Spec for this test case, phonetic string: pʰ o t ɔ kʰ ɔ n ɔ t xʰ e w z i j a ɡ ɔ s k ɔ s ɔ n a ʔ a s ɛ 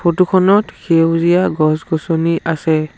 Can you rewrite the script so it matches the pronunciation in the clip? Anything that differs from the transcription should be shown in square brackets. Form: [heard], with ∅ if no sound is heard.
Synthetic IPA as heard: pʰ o t [u] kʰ ɔ n ɔ t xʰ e w z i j a ɡ ɔ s [ɡ] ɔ s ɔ n [i] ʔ a s ɛ